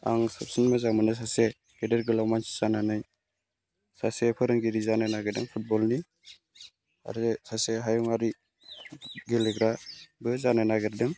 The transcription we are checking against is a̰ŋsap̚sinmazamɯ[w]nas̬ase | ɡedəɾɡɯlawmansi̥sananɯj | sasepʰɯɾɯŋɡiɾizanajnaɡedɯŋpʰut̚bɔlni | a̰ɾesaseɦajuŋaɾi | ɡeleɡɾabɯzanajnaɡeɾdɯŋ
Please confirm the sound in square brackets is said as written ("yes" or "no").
no